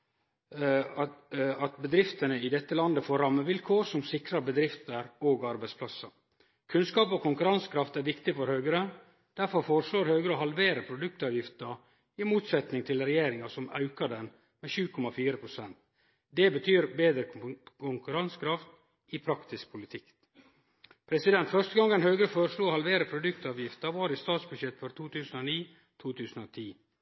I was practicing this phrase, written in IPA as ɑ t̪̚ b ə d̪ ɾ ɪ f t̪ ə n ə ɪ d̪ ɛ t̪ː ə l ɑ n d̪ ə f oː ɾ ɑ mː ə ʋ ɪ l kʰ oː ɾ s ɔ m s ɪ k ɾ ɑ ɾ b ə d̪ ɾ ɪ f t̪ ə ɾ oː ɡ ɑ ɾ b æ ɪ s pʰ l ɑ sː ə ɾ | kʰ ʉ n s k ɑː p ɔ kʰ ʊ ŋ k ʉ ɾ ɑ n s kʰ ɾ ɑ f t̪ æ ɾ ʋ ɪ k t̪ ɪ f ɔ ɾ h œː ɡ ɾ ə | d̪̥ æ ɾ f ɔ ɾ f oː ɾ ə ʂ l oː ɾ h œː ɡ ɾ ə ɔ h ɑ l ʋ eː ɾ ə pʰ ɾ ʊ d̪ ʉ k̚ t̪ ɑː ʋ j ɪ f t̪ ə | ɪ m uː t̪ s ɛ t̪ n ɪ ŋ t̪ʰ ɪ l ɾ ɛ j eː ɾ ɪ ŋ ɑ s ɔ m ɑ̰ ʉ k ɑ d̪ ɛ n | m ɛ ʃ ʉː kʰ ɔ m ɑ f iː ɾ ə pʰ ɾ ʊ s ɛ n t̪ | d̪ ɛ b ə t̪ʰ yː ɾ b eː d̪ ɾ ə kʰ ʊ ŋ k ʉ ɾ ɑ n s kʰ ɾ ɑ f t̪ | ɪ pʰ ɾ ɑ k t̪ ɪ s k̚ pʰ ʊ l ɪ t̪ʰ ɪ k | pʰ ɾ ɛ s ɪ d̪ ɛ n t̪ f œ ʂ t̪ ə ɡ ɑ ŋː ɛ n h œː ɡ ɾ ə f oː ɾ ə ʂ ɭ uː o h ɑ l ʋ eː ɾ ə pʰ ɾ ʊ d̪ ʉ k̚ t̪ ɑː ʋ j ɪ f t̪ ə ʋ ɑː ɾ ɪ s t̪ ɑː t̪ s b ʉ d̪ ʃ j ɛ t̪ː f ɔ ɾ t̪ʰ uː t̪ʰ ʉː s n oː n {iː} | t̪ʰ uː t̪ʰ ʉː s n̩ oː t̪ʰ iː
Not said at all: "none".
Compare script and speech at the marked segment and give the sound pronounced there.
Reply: iː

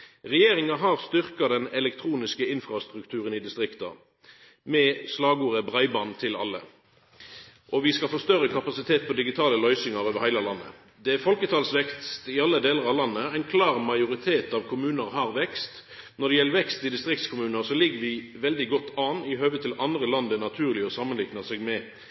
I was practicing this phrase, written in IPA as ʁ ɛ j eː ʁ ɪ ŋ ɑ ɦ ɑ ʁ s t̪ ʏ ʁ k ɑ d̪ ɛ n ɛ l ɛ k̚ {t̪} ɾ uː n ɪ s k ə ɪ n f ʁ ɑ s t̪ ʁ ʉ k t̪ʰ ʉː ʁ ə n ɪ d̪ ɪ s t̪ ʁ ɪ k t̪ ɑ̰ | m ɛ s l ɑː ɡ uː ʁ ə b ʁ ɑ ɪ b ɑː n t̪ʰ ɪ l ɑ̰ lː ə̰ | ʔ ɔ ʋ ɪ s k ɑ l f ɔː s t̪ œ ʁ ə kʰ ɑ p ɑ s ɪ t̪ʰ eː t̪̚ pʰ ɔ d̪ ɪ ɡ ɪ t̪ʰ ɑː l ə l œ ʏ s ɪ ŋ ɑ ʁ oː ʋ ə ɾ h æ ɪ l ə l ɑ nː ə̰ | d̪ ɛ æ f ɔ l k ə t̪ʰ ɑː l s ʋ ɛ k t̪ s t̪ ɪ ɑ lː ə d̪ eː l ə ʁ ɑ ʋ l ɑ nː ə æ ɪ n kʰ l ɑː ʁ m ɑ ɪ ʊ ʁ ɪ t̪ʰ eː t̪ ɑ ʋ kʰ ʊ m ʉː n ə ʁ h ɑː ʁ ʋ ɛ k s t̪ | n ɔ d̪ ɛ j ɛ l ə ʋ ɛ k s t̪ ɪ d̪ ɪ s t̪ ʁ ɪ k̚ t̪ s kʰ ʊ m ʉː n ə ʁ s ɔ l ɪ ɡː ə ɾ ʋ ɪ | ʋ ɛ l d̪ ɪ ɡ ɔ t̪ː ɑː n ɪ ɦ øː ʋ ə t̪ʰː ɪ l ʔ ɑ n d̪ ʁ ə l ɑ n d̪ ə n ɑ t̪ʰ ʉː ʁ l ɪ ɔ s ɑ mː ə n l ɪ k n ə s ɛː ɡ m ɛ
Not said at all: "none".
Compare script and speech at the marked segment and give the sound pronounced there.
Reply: t̪ʰ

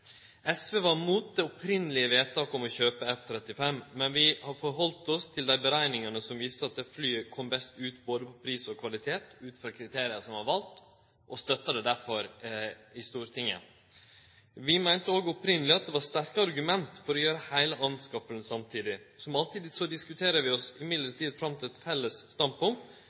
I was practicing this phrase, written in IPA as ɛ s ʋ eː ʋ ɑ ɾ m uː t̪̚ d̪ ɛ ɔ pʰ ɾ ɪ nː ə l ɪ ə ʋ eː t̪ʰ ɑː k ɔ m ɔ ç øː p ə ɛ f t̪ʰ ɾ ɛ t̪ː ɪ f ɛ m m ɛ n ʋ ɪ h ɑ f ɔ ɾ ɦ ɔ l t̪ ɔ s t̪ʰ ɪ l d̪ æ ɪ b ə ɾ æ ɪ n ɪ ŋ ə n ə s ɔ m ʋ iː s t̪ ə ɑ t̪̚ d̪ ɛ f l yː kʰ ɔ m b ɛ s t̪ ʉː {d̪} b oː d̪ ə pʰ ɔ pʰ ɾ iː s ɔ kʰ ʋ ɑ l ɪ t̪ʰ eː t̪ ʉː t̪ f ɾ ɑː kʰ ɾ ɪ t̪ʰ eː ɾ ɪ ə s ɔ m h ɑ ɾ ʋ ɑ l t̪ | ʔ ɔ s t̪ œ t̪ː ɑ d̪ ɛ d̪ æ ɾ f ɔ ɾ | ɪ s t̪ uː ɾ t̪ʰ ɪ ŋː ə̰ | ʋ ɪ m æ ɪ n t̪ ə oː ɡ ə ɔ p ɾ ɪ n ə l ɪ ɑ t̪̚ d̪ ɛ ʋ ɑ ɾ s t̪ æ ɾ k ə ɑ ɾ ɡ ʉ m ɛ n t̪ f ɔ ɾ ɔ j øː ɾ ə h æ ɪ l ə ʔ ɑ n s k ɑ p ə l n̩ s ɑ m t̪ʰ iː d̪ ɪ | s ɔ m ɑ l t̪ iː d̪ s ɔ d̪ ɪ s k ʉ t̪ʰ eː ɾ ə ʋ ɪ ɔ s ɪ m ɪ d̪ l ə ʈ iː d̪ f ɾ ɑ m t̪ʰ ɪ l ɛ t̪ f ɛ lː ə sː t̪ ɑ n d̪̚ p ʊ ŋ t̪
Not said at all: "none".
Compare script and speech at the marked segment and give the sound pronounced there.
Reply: t̪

